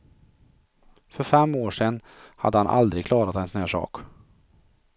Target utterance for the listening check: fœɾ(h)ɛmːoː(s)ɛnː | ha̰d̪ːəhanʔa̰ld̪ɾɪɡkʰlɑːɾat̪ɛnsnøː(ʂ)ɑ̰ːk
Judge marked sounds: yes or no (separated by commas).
no, no, yes